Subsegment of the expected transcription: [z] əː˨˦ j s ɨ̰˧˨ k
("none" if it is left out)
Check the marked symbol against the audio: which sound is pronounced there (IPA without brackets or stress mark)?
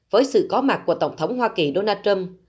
v